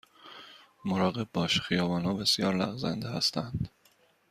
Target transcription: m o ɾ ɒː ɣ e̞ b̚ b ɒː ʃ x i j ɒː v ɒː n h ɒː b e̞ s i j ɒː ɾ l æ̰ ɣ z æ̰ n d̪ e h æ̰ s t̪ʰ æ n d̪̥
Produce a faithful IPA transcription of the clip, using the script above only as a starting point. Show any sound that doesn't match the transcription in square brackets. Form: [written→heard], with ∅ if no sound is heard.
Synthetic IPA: m o ɾ ɒː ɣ e̞ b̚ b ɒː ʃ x i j ɒː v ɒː n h ɒː b e̞ s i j ɒː ɾ l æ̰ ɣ z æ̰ n d̪ e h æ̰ s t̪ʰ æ n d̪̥